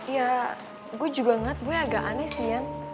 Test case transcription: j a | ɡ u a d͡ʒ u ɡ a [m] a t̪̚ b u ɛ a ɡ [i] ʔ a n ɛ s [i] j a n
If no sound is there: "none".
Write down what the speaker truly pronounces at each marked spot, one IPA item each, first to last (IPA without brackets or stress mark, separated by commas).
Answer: ŋ, a, i